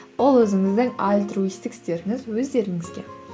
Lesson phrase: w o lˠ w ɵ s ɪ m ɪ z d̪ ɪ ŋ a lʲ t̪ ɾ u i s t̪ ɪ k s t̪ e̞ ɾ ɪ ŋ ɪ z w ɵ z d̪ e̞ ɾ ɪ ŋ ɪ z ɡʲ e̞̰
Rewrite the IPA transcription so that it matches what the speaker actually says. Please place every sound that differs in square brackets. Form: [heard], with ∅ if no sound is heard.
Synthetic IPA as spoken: w o lˠ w ɵ [z] ɪ [ŋ] ɪ z d̪ ɪ ŋ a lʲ t̪ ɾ u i s t̪ ɪ k s t̪ e̞ ɾ ɪ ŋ ɪ z w ɵ z d̪ e̞ ɾ ɪ ŋ ɪ z ɡʲ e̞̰